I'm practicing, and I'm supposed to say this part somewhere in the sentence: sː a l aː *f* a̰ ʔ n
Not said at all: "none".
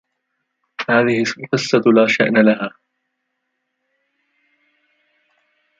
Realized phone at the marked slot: ʃ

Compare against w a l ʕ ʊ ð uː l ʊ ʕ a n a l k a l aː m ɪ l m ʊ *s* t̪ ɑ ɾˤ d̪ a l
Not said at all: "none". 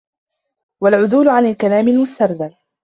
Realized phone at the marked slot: s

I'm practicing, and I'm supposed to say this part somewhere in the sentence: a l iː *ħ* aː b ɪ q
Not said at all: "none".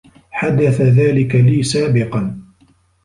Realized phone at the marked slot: s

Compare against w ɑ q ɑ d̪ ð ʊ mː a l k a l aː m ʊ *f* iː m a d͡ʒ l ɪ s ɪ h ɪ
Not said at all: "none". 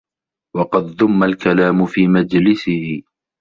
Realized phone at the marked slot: f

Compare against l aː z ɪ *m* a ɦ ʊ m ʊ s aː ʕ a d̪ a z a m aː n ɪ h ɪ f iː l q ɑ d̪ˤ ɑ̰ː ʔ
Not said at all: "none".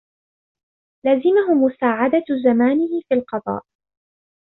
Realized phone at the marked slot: m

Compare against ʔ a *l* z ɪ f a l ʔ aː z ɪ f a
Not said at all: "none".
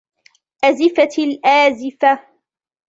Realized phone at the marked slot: none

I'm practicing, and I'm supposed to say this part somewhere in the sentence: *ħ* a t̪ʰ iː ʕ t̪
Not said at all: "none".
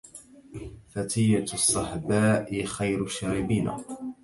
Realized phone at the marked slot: f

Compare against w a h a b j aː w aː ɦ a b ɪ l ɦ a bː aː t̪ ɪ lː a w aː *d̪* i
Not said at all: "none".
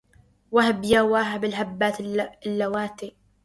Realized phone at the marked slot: t̪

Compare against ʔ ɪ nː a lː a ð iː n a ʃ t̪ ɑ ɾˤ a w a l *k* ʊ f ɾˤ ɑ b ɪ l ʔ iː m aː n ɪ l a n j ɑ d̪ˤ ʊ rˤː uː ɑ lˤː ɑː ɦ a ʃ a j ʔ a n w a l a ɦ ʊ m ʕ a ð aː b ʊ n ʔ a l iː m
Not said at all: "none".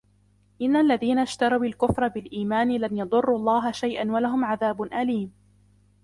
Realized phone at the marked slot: k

